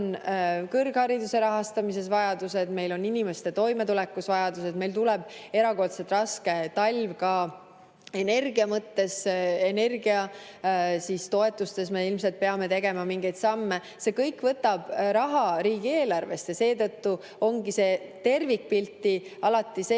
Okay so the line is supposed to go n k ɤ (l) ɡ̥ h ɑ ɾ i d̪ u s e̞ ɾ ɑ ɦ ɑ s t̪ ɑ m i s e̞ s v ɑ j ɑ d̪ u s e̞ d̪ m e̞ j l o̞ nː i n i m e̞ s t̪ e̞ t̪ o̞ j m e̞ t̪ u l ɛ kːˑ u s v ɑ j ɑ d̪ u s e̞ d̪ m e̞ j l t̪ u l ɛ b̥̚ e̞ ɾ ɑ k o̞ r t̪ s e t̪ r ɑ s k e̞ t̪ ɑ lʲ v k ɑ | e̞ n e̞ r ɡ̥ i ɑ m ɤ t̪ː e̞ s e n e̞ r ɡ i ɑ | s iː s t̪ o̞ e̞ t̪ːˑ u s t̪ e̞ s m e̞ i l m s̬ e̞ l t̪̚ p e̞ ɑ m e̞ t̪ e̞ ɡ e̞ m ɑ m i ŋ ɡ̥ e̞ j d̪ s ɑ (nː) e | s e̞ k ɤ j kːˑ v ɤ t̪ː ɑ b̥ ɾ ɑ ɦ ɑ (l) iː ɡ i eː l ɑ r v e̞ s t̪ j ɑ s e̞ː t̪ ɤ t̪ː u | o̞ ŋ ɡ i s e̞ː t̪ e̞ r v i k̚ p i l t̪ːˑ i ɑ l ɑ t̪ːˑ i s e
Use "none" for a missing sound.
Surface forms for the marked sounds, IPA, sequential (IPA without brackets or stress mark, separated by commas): r, mː, ɾ